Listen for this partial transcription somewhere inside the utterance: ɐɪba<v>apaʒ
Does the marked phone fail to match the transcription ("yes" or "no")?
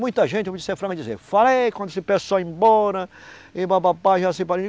yes